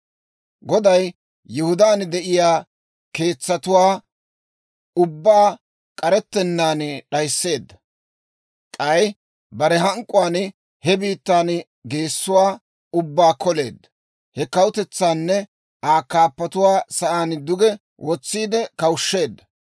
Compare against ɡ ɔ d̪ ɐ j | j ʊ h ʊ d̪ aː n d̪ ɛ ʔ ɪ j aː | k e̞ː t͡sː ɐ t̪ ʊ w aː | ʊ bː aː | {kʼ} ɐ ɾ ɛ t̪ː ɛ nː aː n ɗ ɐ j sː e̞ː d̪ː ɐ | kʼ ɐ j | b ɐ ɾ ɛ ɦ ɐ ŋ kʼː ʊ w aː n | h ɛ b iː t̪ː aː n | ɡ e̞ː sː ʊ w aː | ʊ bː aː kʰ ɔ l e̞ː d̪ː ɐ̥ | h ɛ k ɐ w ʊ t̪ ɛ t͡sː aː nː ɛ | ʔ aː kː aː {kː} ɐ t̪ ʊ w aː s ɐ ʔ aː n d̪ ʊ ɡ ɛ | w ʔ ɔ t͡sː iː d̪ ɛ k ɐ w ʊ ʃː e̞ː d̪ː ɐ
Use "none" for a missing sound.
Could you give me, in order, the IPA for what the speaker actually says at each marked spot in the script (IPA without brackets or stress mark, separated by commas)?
kʼ, pː